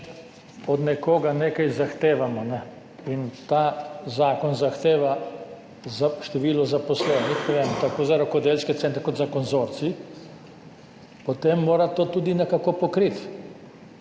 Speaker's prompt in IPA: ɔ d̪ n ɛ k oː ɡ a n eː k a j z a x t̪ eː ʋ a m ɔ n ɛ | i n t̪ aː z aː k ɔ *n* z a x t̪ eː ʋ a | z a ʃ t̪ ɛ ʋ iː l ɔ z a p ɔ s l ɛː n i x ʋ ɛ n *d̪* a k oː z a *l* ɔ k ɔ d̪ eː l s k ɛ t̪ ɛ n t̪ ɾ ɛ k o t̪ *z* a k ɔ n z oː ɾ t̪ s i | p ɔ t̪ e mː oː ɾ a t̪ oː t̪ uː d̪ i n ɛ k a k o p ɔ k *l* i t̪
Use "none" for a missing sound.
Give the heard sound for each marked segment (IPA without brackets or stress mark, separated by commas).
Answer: n, t̪, ɾ, z, ɾ